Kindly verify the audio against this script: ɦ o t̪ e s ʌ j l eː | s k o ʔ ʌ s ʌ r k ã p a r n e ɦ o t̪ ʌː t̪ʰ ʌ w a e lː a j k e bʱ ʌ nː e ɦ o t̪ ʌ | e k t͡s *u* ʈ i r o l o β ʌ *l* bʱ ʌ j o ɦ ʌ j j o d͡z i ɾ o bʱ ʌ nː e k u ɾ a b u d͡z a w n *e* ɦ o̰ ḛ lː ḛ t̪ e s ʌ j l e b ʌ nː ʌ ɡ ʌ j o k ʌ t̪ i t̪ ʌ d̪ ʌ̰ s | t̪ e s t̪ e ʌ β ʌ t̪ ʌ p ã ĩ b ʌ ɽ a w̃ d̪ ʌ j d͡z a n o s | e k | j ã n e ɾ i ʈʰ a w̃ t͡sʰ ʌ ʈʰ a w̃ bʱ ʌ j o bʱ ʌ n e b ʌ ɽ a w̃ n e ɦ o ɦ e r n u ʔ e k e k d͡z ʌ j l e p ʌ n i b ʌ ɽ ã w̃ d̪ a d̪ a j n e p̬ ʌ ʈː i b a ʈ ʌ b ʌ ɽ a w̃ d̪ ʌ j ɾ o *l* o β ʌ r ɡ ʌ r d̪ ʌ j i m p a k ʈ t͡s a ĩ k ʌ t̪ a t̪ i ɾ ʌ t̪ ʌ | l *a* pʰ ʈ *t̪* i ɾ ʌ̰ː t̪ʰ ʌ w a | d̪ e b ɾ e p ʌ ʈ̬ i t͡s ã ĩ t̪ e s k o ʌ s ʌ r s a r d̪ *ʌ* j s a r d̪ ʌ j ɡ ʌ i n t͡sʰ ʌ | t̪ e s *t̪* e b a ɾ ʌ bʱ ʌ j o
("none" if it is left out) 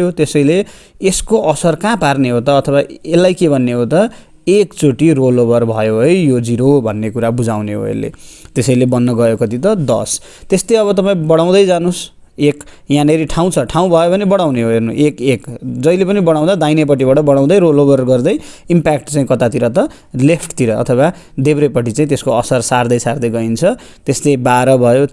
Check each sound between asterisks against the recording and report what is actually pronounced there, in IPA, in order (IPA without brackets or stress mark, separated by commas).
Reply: o, r, e, l, e, t̪, ʌ, t̪